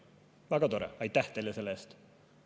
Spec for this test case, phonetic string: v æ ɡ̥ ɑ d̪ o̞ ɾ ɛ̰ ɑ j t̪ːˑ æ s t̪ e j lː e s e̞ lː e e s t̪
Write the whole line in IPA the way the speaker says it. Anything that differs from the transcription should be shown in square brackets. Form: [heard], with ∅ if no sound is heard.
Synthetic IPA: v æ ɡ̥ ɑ [t̪] o̞ ɾ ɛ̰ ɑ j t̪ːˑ æ [h] t̪ e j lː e s e̞ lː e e s t̪